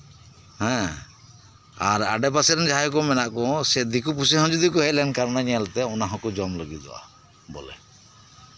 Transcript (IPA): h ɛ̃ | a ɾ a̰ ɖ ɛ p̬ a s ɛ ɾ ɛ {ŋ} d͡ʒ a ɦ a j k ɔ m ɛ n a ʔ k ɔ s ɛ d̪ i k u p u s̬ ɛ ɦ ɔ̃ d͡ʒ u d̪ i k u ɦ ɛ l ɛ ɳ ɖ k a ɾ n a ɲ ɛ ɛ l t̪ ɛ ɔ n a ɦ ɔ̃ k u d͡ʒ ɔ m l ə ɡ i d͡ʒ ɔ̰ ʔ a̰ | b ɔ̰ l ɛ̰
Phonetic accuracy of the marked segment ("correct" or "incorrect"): incorrect